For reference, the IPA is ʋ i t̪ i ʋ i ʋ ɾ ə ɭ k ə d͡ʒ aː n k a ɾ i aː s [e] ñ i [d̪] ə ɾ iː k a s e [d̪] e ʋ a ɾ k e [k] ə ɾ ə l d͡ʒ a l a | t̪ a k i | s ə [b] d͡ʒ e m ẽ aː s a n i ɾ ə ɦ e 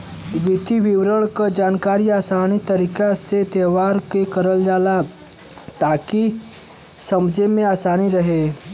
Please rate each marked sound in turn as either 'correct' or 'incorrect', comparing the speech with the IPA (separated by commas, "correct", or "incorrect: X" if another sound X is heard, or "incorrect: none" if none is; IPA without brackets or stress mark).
incorrect: a, incorrect: t̪, incorrect: t̪, correct, incorrect: m